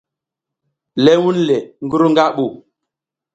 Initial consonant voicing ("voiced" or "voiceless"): voiced